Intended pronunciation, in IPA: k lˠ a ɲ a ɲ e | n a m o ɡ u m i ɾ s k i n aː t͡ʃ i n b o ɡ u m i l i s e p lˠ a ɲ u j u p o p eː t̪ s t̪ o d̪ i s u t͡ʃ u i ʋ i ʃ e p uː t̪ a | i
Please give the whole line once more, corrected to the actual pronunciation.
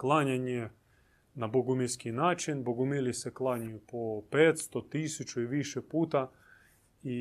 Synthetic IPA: k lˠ a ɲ a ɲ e | n a b o ɡ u m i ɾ s k i n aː t͡ʃ i n b o ɡ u m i l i s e k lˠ a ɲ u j u p o p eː t̪ s t̪ o t̪ i s u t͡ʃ u i ʋ i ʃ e p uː t̪ a | i